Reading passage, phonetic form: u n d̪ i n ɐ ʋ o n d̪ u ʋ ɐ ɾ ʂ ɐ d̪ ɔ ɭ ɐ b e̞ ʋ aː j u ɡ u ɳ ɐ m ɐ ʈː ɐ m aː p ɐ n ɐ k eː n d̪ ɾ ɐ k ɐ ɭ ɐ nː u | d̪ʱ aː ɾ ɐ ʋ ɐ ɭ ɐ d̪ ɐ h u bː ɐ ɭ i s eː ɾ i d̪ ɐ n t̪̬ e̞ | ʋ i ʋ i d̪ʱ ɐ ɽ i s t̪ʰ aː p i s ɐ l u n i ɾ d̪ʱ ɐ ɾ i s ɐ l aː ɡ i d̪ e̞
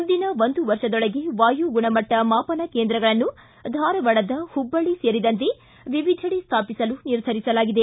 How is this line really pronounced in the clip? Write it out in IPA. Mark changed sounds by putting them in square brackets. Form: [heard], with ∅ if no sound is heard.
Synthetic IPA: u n d̪ i n ɐ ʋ o n d̪ u ʋ ɐ ɾ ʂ ɐ d̪ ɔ ɭ ɐ [ɡ] e̞ ʋ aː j u ɡ u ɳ ɐ m ɐ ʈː ɐ m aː p ɐ n ɐ k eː n d̪ ɾ ɐ [ɡ] ɐ ɭ ɐ nː u | d̪ʱ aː ɾ ɐ ʋ ɐ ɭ ɐ d̪ ɐ h u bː ɐ ɭ i s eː ɾ i d̪ ɐ n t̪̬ e̞ | ʋ i ʋ i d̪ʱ ɐ ɽ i s t̪ʰ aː p i s ɐ l u n i ɾ d̪ʱ ɐ ɾ i s ɐ l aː ɡ i d̪ e̞